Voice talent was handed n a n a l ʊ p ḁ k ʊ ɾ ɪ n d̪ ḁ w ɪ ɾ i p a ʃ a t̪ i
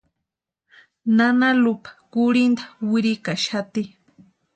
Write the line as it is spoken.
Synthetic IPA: n a n a l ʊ p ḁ k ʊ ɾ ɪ n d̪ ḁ w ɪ ɾ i k a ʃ a t̪ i